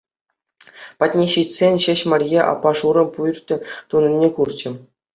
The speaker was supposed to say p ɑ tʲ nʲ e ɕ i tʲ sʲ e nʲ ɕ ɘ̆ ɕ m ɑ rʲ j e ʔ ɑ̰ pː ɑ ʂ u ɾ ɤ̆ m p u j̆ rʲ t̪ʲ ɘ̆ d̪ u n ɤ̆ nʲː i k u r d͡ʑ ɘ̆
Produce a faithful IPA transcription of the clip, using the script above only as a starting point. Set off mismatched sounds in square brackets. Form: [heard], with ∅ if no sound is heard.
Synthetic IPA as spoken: p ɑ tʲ nʲ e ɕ i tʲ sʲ e nʲ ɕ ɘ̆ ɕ m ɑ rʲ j e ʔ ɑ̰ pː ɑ ʂ u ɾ ɤ̆ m p u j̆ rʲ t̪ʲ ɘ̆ [t̪] u n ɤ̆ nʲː [e] k u r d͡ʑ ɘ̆